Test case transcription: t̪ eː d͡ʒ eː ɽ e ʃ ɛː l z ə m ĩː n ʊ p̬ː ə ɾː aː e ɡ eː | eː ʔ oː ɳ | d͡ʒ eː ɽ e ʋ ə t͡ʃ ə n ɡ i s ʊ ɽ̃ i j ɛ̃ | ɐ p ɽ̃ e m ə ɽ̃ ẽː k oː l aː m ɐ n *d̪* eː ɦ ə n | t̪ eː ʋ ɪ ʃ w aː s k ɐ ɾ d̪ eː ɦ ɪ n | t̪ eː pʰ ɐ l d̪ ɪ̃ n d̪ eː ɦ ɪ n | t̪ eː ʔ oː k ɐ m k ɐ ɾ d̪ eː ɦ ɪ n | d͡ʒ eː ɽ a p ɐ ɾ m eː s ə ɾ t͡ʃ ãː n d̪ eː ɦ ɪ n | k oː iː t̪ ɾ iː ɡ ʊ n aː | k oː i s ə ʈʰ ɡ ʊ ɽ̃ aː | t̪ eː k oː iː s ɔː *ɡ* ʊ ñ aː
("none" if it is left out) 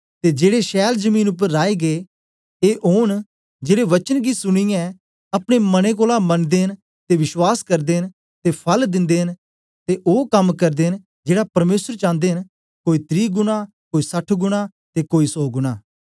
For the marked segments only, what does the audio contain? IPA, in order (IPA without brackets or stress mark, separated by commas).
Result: d̪, ɡ